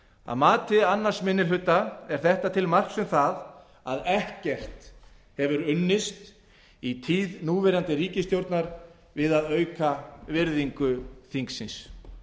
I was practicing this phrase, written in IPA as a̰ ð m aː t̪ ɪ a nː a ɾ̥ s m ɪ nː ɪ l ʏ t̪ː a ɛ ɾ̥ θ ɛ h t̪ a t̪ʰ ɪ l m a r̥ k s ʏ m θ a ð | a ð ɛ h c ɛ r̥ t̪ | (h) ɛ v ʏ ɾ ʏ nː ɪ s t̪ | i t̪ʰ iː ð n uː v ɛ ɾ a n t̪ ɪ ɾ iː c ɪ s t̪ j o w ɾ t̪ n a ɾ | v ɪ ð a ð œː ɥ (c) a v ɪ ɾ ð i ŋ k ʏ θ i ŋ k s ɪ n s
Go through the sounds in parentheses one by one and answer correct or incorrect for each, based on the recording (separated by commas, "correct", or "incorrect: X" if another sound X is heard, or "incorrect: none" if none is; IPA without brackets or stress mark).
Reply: correct, incorrect: k